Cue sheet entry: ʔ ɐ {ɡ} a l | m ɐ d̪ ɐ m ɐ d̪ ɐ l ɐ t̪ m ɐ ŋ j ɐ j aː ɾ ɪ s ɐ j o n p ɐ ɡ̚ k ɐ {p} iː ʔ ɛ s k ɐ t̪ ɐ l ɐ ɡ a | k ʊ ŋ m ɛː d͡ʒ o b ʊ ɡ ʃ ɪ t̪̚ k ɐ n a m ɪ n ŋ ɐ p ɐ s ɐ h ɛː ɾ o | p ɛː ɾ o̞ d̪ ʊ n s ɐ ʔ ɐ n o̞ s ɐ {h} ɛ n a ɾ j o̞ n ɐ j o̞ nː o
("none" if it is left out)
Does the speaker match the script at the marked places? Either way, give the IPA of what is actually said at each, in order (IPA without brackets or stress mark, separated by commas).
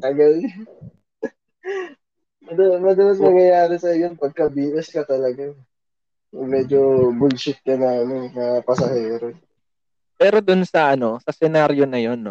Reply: ɡ, b, s